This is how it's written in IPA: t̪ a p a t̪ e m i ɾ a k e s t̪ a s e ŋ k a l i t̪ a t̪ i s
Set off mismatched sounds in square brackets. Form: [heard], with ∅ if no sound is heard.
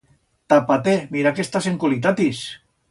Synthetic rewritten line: t̪ a p a t̪ e m i ɾ a k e s t̪ a s e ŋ k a l i t̪ a t̪ i s